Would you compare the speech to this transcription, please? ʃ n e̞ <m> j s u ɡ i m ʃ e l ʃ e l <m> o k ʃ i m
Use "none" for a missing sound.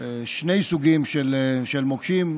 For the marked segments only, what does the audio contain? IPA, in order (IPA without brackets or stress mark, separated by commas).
none, m